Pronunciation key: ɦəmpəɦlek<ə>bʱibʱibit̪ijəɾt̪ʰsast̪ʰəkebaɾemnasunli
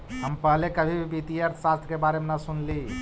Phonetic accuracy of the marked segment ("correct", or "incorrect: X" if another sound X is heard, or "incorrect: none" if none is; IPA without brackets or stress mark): correct